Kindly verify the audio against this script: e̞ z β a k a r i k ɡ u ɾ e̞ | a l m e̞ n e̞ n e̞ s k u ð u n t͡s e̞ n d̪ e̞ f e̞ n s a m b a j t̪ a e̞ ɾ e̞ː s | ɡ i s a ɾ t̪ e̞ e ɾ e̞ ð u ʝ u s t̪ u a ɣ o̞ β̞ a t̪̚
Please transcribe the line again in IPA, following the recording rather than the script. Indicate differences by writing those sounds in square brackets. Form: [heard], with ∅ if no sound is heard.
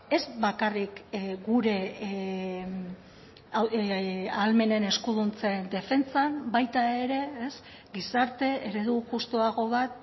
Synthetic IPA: e̞ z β a k a r i k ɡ u ɾ e̞ | a l m e̞ n e̞ n e̞ s k u ð u n t͡s e̞ n d̪ e̞ f e̞ n [t͡s] a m b a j t̪ a e̞ ɾ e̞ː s | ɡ i s a ɾ t̪ e̞ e ɾ e̞ ð u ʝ u s t̪ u a ɣ o̞ β̞ a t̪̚